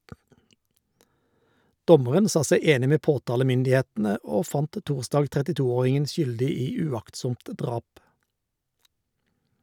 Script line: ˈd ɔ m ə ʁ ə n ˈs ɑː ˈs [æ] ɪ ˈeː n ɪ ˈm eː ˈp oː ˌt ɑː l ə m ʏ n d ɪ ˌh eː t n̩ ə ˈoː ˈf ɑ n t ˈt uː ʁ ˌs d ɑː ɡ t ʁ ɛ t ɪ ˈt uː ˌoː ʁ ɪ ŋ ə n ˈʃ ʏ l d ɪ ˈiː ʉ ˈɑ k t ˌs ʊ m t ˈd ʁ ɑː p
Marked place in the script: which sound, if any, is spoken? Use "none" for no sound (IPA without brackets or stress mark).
æ